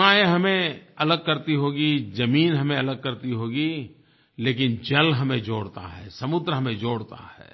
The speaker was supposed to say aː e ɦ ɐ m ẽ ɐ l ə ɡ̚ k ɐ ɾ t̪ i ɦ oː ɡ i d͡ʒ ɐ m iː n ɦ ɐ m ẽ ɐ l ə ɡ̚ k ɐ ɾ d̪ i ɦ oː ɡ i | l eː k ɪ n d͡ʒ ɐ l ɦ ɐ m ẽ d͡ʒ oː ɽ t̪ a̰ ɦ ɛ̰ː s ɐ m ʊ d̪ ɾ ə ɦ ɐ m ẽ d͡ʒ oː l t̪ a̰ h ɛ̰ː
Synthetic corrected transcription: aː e ɦ ɐ m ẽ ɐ l ə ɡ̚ k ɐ ɾ t̪ i ɦ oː ɡ i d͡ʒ ɐ m iː n ɦ ɐ m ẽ ɐ l ə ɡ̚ k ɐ ɾ t̪ i ɦ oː ɡ i | l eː k ɪ n d͡ʒ ɐ l ɦ ɐ m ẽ d͡ʒ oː ɽ t̪ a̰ ɦ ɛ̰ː s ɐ m ʊ d̪ ɾ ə ɦ ɐ m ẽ d͡ʒ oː ɽ t̪ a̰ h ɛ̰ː

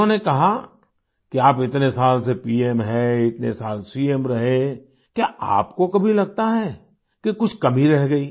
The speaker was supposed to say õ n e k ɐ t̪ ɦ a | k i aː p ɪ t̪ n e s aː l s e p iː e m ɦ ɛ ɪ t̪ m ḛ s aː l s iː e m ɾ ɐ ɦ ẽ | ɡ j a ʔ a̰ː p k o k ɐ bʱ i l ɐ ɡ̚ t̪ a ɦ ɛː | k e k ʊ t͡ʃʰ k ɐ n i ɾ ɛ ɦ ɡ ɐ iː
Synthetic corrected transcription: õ n e k ɐ ɦ a | k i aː p ɪ t̪ n e s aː l s e p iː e m ɦ ɛ ɪ t̪ n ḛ s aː l s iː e m ɾ ɐ ɦ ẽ | k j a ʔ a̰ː p k o k ɐ bʱ i l ɐ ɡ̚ t̪ a ɦ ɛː | k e k ʊ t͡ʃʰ k ɐ m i ɾ ɛ ɦ ɡ ɐ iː

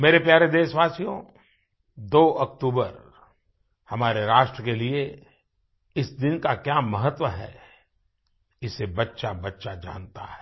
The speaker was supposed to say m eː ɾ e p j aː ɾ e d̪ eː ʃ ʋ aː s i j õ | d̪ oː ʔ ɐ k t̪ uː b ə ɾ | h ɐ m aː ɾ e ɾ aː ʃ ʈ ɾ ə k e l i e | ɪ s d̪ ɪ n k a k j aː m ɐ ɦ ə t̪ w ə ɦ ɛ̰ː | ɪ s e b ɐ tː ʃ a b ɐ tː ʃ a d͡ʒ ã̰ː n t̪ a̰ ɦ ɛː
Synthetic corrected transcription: m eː ɾ e p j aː ɾ e d̪ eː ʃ ʋ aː s i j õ | d̪ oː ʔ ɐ k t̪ uː b ə ɾ | h ɐ m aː ɾ e ɾ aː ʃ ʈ ɾ ə k e l i e | ɪ s d̪ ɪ n k a k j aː m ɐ ɦ ə t̪ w ə ɦ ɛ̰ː | ɪ s e b ɐ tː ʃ a b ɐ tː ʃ a d͡ʒ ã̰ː n t̪ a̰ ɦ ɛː

